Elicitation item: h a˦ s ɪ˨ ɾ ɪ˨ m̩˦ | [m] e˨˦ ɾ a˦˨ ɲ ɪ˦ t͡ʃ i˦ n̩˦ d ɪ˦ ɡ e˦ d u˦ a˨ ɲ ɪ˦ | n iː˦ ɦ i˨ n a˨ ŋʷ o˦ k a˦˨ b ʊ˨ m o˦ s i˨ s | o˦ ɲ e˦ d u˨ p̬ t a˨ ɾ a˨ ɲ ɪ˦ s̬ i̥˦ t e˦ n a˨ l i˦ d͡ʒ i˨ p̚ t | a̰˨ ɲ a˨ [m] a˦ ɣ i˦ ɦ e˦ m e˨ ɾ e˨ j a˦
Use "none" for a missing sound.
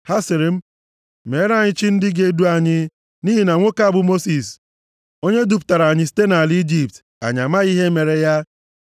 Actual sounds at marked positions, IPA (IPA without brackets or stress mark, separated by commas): m, m